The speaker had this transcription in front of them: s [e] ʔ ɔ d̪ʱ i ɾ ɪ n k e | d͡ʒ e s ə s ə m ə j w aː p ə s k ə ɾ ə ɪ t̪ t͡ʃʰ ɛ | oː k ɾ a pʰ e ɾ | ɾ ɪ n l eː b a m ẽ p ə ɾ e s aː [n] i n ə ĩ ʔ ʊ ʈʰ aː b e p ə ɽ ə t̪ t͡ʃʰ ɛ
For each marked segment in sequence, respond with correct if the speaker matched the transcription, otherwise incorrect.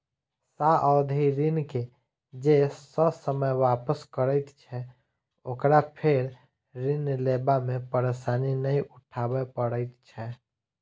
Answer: incorrect: a, correct

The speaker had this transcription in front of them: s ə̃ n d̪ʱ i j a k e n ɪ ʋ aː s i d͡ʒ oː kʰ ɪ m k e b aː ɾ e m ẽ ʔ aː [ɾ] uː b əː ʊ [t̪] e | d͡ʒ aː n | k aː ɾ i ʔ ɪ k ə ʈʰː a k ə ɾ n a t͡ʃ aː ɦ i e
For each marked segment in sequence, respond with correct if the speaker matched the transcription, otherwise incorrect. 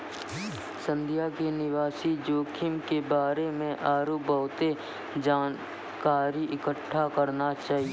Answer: correct, correct

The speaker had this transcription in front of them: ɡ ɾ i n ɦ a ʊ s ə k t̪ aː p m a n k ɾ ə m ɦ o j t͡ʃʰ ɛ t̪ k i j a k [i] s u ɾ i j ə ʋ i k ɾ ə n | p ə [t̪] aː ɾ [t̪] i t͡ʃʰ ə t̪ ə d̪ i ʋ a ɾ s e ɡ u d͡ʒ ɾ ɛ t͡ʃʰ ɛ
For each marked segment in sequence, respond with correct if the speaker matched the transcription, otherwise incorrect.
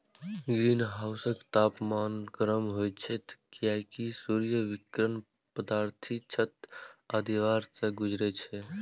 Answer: correct, incorrect: d̪, incorrect: t̪ʰ

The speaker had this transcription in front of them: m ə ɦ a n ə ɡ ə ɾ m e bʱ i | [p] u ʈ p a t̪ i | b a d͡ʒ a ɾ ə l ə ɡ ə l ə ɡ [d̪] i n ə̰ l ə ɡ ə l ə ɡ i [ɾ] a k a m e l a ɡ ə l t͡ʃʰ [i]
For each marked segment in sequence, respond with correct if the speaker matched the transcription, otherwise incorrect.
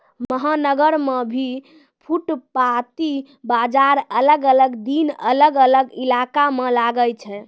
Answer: incorrect: pʰ, correct, incorrect: l, incorrect: ɛ

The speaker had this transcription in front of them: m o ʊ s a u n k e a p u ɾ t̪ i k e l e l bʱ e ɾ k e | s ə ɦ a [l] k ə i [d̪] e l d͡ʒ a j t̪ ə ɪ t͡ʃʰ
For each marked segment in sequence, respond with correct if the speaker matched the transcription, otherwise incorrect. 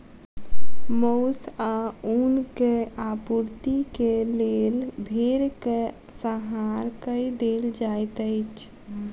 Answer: incorrect: ɾ, correct

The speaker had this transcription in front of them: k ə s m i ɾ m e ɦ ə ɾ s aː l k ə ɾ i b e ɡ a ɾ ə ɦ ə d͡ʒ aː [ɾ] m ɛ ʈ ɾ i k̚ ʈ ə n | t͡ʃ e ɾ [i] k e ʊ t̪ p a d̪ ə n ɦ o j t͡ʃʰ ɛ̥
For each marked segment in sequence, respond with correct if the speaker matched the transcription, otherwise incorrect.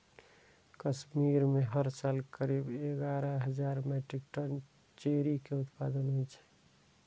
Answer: correct, correct

